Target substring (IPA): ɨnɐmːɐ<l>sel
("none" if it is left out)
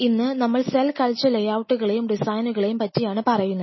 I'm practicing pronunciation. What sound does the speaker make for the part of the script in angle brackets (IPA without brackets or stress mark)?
ɭ